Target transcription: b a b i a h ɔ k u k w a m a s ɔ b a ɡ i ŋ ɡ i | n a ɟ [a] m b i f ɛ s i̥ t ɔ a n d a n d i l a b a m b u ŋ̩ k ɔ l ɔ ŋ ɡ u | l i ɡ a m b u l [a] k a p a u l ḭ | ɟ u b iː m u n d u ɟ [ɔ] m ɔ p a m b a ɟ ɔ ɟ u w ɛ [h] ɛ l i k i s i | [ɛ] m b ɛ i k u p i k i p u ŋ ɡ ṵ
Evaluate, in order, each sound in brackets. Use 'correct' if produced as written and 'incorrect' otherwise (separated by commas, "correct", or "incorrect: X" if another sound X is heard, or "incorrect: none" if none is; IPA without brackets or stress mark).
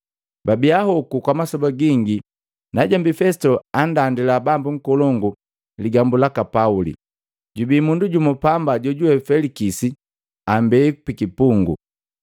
correct, correct, incorrect: u, incorrect: f, incorrect: a